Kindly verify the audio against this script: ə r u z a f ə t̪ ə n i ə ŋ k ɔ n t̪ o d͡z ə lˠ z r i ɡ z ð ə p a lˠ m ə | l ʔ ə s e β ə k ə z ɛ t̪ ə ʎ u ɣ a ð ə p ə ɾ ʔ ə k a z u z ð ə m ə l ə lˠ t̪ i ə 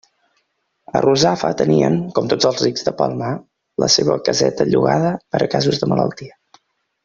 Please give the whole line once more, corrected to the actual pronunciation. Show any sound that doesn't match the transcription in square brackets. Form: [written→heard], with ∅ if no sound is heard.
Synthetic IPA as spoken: ə r u z a f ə t̪ ə n i ə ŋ k ɔ [n→m] t̪ o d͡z ə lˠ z r i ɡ z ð ə p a lˠ m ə | l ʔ ə s e β ə k ə z ɛ t̪ ə ʎ u ɣ a ð ə p ə ɾ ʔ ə k a z u z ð ə m ə l ə lˠ t̪ i ə